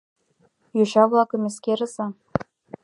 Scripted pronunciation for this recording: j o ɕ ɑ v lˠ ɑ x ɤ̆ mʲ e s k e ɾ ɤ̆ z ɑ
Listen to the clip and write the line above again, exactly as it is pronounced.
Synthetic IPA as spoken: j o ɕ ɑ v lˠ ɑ k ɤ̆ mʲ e s k e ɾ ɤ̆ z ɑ